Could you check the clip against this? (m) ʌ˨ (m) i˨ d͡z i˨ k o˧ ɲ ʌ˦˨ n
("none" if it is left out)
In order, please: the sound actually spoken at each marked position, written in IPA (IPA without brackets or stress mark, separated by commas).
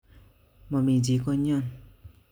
m, m